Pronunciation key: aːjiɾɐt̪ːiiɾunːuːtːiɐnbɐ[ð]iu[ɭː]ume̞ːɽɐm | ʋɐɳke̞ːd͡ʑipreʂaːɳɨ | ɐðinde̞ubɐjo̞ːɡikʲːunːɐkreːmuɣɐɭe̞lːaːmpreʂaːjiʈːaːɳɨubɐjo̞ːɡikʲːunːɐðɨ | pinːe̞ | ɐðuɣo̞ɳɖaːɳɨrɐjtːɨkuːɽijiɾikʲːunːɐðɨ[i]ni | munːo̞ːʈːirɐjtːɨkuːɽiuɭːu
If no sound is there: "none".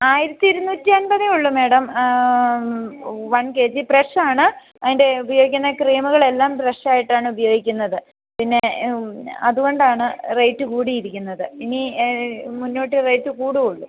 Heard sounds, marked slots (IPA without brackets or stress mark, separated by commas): ð, ɭː, i